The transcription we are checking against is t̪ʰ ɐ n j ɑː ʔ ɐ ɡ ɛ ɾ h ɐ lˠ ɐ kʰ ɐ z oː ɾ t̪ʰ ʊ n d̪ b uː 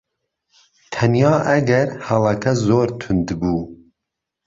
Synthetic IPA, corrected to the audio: t̪ʰ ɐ n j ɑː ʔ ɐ ɡ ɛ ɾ h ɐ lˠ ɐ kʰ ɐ z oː ɾ t̪ʰ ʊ n d̪ b uː